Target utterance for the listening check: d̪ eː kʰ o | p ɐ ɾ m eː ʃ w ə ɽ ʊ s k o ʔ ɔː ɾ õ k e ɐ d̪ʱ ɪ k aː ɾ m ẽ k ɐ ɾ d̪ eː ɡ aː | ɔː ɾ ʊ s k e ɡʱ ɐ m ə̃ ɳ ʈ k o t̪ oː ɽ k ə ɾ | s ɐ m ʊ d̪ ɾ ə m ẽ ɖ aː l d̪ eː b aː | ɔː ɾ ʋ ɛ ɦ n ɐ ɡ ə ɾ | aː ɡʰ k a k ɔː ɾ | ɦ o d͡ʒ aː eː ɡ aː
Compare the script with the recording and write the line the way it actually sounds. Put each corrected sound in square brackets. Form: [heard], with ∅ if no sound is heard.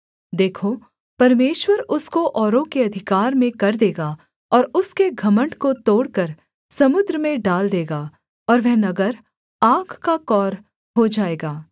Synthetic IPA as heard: d̪ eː kʰ o | p ɐ ɾ m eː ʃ w ə [ɾ] ʊ s k o ʔ ɔː ɾ õ k e ɐ d̪ʱ ɪ k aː ɾ m ẽ k ɐ ɾ d̪ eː ɡ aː | ɔː ɾ ʊ s k e ɡʱ ɐ m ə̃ ɳ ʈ k o t̪ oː ɽ k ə ɾ | s ɐ m ʊ d̪ ɾ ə m ẽ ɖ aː l d̪ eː [ɡ] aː | ɔː ɾ ʋ ɛ ɦ n ɐ ɡ ə ɾ | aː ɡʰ k a k ɔː ɾ | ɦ o d͡ʒ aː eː ɡ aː